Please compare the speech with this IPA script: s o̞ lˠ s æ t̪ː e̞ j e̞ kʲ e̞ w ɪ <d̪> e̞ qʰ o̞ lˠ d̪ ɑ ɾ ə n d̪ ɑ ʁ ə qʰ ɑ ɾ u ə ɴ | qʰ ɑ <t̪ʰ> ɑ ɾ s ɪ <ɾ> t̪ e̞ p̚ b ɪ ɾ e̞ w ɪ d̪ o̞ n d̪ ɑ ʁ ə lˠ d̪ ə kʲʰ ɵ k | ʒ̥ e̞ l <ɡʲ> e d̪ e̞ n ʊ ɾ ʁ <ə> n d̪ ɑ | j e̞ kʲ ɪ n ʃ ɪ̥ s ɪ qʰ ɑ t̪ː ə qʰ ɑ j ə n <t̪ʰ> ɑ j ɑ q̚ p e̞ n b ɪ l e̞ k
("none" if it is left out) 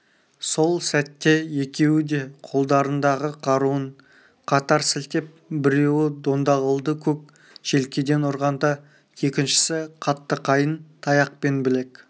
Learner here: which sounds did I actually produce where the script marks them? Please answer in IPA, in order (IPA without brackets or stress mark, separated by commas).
d̪, t̪, l, kʲ, ɑ, t̪ʰ